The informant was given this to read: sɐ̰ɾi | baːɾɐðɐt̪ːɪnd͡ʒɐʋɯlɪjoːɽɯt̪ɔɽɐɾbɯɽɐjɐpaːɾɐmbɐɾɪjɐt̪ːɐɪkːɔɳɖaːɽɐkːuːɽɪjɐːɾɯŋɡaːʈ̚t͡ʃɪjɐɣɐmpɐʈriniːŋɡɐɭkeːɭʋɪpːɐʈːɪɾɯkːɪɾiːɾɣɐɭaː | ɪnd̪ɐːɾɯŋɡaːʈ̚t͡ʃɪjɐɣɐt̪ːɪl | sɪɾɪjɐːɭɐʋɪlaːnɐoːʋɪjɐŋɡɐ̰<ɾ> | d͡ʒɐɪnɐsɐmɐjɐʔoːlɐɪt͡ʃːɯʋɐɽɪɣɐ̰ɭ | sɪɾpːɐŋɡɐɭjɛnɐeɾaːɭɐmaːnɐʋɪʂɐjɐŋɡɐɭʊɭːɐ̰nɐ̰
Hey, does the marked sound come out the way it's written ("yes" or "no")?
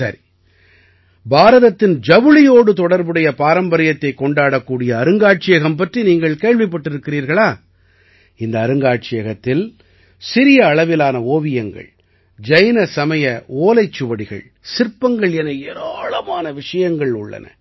no